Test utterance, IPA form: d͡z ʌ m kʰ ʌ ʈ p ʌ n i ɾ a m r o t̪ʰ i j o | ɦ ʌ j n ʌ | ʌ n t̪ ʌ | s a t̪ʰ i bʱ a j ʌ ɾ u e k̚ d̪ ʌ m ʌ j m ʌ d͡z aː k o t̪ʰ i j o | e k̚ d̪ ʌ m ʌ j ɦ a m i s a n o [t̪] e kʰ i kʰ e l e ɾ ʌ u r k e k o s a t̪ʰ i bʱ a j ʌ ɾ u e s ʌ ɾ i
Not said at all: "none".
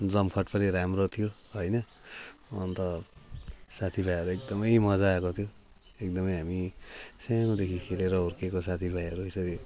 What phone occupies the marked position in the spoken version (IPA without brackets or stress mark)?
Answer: d̪